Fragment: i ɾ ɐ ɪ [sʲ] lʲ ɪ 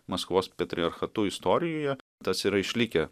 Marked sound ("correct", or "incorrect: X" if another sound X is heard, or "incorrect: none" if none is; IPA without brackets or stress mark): incorrect: ʃʲ